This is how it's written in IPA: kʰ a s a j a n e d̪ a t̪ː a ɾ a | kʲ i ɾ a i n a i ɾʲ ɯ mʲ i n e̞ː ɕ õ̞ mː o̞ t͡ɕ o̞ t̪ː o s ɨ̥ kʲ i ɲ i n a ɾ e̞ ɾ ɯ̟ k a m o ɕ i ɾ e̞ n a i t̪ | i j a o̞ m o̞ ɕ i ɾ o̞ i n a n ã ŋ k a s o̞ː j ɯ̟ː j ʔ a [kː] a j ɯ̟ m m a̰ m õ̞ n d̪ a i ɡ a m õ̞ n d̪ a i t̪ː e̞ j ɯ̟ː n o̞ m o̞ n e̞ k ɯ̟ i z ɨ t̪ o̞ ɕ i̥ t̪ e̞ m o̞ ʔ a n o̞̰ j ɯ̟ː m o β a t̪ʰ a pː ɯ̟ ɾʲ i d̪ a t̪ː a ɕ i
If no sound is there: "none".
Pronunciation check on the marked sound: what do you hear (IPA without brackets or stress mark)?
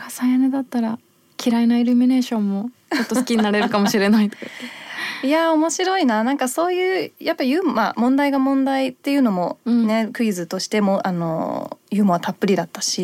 pː